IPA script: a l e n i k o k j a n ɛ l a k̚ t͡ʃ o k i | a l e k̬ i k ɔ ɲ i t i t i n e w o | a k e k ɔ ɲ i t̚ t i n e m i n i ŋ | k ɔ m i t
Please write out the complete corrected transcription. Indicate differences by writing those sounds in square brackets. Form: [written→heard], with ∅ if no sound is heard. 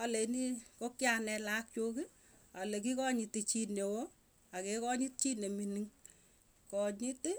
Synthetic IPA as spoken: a l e n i k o k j a n ɛ l a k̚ t͡ʃ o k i | a l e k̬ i k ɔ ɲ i t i [t→t͡ʃ] i n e w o | a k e k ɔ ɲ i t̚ [t→t͡ʃ] i n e m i n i ŋ | k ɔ [m→ɲ] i t